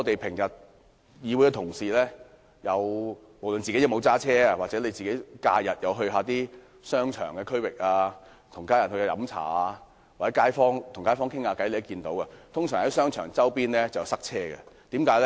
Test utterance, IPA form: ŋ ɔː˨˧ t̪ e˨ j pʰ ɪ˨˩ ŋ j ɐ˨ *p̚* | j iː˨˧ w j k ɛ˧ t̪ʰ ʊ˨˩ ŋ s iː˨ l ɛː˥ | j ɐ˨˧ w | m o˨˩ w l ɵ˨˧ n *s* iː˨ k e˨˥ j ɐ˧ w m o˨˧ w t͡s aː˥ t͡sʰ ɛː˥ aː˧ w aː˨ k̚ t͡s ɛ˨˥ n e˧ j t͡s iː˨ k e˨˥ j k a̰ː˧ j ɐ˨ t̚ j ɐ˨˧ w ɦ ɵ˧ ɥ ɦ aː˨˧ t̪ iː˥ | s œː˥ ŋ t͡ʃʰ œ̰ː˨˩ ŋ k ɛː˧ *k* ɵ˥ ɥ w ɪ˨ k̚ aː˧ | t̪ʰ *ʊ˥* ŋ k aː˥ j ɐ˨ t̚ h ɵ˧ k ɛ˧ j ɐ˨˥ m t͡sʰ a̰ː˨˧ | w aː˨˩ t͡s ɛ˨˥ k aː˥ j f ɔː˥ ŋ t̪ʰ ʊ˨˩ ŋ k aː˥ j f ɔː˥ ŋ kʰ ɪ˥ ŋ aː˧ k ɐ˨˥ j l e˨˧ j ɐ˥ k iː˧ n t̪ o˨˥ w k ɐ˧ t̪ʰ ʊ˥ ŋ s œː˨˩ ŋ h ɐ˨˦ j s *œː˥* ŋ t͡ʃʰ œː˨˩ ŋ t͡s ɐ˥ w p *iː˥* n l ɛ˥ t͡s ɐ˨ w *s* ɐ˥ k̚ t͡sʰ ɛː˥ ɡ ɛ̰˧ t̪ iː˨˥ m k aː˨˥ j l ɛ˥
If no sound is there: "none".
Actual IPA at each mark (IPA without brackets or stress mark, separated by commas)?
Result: t̚, t͡s, kʰ, ʊ˨˩, œː˥, iː˥, s